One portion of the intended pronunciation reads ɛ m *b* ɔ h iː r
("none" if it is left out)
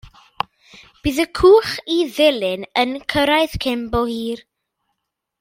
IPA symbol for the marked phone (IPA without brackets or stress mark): b